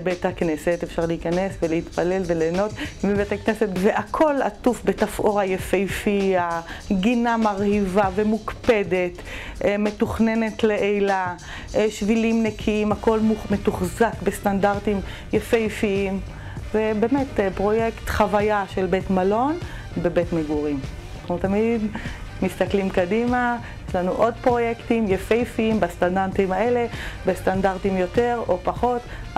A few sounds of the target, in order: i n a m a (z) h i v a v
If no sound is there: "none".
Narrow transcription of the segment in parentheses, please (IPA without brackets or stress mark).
ʁ